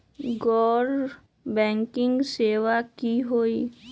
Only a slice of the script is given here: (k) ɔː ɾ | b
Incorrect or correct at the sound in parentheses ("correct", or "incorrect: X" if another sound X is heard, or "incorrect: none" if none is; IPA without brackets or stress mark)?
incorrect: ɡ